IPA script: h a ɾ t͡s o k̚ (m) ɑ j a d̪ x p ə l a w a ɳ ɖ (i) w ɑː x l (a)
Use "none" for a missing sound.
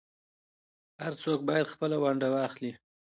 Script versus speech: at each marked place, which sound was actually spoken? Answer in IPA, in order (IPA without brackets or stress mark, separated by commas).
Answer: b, a, i